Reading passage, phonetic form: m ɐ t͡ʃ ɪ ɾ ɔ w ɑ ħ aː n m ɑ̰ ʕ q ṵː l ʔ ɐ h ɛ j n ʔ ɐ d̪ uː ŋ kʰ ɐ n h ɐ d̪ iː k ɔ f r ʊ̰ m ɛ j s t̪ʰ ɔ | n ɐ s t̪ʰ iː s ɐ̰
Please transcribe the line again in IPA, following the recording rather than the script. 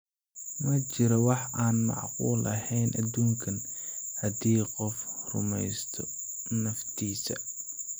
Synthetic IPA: m ɐ t͡ʃ ɪ ɾ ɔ w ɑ ħ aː n m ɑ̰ ʕ q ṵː l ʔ ɐ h ɛ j n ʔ ɐ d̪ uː ŋ kʰ ɐ n h ɐ d̪ iː q ɔ f r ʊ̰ m ɛ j s t̪ʰ ɔ | n ɐ f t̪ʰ iː s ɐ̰

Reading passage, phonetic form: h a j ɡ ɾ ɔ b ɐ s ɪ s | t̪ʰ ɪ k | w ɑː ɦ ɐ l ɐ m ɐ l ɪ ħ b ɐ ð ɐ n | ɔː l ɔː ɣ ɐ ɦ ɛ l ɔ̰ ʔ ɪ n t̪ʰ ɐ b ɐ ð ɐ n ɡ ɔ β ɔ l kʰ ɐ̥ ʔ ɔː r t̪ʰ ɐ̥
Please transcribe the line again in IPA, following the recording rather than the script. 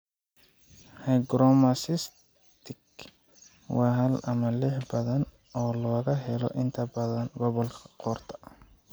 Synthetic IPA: h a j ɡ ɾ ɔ m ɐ s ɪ s | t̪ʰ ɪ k | w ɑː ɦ ɐ l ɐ m ɐ l ɪ ħ b ɐ ð ɐ n | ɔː l ɔː ɣ ɐ ɦ ɛ l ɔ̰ ʔ ɪ n t̪ʰ ɐ b ɐ ð ɐ n ɡ ɔ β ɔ l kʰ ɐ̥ q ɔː r t̪ʰ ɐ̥

